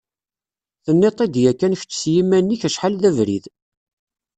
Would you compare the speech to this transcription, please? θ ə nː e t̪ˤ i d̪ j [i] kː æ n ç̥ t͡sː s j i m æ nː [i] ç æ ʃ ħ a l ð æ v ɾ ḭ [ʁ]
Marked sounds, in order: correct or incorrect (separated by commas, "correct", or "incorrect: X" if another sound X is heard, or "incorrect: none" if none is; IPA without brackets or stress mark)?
incorrect: æ, correct, incorrect: ð